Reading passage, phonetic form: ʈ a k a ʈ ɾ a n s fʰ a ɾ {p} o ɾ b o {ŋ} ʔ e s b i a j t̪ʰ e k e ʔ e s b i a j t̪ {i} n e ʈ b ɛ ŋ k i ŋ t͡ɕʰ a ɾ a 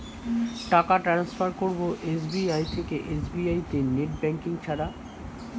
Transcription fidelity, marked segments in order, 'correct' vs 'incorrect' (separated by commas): incorrect, incorrect, incorrect